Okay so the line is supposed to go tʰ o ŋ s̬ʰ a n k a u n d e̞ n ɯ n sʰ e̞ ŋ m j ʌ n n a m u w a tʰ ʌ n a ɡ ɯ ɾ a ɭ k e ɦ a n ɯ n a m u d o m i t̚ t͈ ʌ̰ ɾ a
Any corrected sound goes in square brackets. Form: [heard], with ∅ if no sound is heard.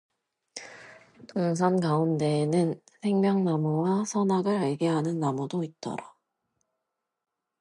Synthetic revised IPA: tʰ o ŋ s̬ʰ a n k a u n d e̞ n ɯ n sʰ e̞ ŋ m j ʌ [ŋ] n a m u w a [sʰ] ʌ n a ɡ ɯ ɾ a ɭ [ɡ] e ɦ a n ɯ [nː] a m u d o [∅] i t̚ t͈ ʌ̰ ɾ a